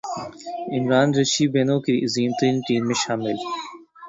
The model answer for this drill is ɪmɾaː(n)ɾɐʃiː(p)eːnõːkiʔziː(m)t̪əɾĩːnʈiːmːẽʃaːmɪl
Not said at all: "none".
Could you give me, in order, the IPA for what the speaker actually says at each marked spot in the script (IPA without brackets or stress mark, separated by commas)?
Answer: n, b, m